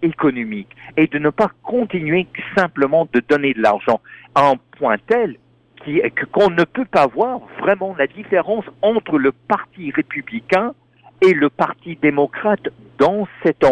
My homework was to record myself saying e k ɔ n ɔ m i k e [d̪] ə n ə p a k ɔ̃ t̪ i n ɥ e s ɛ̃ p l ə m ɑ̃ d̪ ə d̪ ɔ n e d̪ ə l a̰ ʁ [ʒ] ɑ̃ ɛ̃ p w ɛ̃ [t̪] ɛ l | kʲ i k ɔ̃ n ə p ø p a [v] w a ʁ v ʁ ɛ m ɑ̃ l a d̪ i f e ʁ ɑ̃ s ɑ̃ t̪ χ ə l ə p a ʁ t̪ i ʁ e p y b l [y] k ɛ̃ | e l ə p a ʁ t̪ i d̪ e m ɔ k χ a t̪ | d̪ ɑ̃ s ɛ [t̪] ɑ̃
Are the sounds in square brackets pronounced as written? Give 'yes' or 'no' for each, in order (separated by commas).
yes, yes, yes, yes, no, yes